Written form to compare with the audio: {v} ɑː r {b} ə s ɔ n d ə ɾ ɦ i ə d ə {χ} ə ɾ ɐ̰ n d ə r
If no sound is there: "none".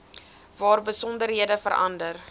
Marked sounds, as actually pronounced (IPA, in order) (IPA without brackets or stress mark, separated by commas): v, b, f